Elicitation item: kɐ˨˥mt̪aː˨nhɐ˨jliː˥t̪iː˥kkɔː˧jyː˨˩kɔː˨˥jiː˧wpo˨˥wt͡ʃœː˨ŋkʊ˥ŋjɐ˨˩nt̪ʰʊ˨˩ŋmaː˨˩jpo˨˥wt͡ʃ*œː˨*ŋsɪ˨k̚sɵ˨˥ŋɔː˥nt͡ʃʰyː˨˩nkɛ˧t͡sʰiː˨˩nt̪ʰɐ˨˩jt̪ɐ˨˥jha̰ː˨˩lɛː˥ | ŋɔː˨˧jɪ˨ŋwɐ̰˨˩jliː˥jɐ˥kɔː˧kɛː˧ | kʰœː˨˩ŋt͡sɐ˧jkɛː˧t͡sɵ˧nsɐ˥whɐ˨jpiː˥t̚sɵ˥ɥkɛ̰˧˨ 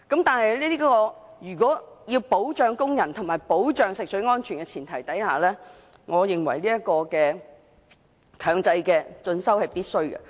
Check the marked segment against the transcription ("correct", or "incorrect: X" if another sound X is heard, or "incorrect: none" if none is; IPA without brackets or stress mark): correct